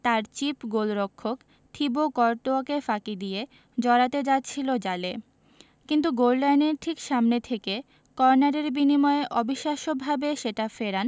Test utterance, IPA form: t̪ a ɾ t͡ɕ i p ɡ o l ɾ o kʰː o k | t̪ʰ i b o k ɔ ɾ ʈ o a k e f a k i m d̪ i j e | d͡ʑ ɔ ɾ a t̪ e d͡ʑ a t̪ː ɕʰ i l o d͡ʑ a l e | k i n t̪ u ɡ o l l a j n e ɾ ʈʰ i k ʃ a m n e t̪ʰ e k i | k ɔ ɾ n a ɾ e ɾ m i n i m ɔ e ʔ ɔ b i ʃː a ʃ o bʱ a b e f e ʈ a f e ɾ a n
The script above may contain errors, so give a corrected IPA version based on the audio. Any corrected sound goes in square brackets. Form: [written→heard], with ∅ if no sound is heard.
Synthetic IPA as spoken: t̪ a ɾ t͡ɕ i p ɡ o l ɾ o kʰː o k | t̪ʰ i b o k ɔ ɾ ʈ o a k e f a k i [m→∅] d̪ i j e | d͡ʑ ɔ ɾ a t̪ e d͡ʑ a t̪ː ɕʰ i l o d͡ʑ a l e | k i n t̪ u ɡ o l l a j n e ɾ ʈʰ i k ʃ a m n e t̪ʰ e k [i→e] | k ɔ ɾ n a ɾ e ɾ [m→b] i n i m ɔ e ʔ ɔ b i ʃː a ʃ o bʱ a b e [f→ʃ] e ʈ a f e ɾ a n